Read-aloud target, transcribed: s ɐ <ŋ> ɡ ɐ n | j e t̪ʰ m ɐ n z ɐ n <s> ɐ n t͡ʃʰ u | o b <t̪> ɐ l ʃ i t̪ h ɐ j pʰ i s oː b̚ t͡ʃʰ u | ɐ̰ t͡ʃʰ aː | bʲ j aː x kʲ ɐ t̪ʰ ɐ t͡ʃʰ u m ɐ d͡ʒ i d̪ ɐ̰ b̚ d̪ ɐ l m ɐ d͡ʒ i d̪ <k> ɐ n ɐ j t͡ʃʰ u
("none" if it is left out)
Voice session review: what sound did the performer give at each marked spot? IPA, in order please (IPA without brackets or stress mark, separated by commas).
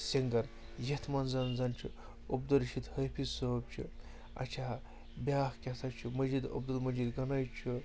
ŋ, z, d̪, ɡ